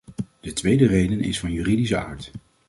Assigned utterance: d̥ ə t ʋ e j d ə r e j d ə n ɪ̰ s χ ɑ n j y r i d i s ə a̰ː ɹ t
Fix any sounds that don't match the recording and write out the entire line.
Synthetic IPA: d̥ ə t ʋ e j d ə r e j d ə n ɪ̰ s f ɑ n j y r i d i s ə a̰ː ɹ t